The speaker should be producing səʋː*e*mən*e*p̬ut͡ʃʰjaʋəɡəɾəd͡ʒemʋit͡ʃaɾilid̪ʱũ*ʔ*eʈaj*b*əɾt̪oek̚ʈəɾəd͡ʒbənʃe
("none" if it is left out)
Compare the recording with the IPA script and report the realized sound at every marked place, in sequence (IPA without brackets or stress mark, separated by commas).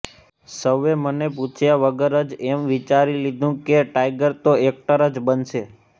e, e, k, ɡ